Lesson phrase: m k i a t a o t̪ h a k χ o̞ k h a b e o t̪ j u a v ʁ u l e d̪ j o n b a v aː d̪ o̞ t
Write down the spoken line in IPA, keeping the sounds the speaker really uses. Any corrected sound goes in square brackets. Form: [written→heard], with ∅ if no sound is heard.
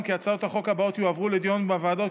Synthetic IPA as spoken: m k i a [t→t͡s] a o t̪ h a [k→∅] χ o̞ k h a b [e→a] o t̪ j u a v ʁ u l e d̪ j o n b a v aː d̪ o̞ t